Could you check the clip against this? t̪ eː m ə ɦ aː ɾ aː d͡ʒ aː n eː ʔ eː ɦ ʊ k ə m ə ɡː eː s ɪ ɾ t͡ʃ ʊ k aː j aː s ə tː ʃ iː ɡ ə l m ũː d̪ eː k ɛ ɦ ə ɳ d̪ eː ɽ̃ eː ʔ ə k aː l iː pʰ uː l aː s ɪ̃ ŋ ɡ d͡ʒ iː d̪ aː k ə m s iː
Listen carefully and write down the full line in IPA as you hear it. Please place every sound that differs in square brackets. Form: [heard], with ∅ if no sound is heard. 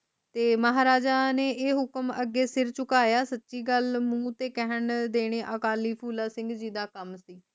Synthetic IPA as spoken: t̪ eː m ə ɦ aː ɾ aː d͡ʒ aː n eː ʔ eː ɦ ʊ k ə m ə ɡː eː s ɪ ɾ t͡ʃ ʊ k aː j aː s ə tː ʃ iː ɡ ə l m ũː [t̪] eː k ɛ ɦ ə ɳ d̪ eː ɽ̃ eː ʔ ə k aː l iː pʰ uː l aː s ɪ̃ ŋ ɡ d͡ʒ iː d̪ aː k ə m s iː